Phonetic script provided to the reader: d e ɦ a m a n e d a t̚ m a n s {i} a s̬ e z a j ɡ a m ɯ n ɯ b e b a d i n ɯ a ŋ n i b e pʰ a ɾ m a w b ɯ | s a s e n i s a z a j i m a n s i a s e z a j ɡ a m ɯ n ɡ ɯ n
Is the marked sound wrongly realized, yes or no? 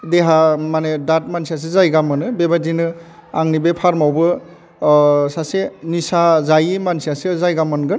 no